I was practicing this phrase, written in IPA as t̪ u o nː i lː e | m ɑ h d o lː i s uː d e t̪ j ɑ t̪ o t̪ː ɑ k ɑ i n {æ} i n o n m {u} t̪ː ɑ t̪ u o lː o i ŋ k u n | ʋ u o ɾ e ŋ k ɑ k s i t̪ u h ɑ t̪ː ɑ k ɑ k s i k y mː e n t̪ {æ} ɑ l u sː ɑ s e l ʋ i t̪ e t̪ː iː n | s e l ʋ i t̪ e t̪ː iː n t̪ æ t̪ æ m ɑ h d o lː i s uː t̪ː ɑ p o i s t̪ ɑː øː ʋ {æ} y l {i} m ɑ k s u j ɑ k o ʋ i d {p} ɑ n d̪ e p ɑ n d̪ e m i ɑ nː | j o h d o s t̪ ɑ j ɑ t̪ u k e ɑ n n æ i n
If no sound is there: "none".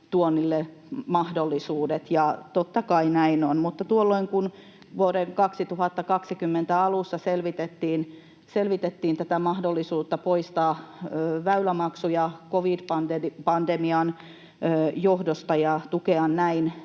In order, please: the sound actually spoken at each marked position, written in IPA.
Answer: æ, u, æ, æ, æ, p

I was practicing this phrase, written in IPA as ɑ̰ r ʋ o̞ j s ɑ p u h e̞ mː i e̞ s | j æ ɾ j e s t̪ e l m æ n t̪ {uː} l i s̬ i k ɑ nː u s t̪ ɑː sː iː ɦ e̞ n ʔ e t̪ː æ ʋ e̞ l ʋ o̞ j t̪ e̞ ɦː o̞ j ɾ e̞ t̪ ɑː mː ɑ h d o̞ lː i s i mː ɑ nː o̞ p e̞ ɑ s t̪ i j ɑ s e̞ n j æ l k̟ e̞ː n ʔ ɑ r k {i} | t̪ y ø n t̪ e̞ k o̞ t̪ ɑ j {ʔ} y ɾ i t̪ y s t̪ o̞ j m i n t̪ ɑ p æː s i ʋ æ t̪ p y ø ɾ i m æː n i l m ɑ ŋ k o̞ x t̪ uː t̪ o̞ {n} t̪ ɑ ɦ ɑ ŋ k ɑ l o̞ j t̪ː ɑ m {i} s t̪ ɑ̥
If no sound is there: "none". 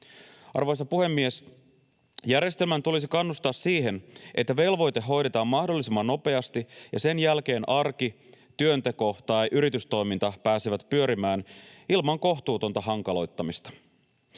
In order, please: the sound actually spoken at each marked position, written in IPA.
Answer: u, i, ʔ, n, i

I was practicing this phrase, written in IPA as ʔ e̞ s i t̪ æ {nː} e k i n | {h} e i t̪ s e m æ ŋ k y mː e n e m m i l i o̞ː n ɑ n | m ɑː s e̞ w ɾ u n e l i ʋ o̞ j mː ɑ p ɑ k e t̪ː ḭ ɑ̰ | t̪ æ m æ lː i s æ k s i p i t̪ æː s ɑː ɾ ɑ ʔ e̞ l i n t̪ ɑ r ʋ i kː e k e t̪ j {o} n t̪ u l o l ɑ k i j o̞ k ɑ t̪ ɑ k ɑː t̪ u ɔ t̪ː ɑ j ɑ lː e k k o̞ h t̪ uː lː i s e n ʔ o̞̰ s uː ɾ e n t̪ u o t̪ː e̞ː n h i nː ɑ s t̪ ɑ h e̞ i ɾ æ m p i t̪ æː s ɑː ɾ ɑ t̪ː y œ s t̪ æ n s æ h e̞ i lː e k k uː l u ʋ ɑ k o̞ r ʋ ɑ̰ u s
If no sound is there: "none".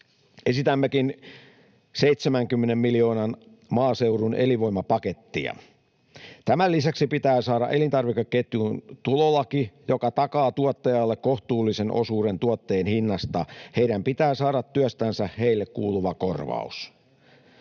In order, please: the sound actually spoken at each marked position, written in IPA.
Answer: mː, s, u

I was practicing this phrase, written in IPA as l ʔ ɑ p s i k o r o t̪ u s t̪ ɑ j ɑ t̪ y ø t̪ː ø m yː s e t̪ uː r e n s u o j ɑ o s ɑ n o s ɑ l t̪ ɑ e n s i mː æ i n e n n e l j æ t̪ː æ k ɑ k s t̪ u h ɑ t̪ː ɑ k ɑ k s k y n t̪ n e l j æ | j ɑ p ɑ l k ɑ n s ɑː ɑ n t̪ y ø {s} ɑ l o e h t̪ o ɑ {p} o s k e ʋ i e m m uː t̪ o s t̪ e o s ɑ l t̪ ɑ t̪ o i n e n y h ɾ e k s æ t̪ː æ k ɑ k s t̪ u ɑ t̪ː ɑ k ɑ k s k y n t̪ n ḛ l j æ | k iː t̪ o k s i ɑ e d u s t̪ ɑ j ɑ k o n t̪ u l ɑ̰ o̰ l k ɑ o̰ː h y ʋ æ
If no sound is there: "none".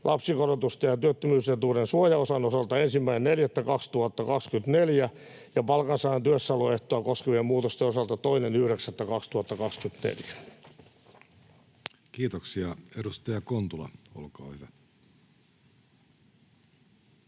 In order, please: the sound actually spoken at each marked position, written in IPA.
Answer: sː, k

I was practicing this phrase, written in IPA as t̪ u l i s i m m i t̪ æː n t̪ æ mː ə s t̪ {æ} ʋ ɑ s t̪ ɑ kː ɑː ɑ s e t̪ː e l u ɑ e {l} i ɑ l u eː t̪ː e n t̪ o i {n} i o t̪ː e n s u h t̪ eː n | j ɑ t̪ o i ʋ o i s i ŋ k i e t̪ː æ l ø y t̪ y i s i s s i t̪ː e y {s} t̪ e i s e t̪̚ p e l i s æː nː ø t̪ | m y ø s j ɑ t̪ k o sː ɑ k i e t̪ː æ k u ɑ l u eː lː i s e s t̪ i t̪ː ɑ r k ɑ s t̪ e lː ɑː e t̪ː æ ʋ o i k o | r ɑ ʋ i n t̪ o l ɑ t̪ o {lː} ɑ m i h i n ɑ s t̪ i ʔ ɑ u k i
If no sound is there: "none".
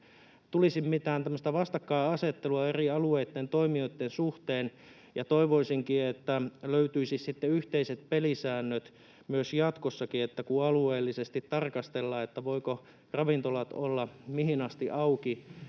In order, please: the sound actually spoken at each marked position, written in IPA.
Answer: æ, r, m, h, lː

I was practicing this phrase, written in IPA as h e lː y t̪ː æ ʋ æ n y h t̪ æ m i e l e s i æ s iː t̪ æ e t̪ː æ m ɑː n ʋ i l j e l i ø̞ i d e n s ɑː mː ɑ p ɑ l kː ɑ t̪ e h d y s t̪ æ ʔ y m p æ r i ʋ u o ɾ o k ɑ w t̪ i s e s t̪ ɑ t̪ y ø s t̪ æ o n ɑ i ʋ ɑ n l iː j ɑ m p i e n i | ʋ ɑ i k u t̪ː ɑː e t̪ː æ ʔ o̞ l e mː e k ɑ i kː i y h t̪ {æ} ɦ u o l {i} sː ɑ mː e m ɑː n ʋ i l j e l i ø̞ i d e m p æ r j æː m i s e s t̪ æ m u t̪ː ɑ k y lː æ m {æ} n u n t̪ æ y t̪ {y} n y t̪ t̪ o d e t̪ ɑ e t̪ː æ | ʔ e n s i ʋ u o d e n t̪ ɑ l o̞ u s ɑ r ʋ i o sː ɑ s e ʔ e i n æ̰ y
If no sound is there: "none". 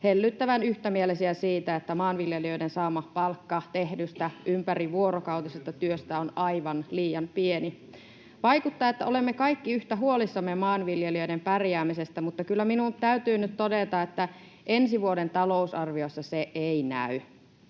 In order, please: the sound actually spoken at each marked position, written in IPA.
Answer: æ, i, i, yː

